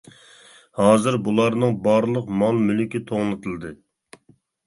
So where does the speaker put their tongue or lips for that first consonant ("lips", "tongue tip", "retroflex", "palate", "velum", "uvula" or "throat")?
throat